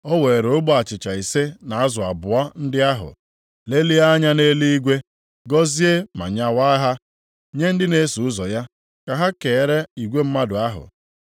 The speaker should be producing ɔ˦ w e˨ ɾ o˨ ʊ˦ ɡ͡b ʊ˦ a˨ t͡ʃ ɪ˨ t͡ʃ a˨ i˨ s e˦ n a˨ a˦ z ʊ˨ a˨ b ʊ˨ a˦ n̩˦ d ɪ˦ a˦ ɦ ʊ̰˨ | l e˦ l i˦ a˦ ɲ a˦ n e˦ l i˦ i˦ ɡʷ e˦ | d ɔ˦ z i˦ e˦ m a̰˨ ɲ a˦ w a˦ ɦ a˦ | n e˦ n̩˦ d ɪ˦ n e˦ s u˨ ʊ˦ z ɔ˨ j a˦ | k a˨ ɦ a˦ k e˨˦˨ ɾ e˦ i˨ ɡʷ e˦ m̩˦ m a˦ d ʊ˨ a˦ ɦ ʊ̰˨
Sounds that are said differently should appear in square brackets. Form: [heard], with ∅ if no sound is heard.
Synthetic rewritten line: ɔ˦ w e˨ ɾ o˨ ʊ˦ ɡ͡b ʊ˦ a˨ t͡ʃ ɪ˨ t͡ʃ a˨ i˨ s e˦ n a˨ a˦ z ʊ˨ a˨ b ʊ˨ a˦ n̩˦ d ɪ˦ a˦ ɦ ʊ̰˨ | l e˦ l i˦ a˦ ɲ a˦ n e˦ l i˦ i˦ ɡʷ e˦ | [ɡ] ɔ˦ z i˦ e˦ m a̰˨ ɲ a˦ w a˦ ɦ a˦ | [ɲ] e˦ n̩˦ d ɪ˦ n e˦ s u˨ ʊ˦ z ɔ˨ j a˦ | k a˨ ɦ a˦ k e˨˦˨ ɾ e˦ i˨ ɡʷ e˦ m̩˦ m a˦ d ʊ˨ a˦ ɦ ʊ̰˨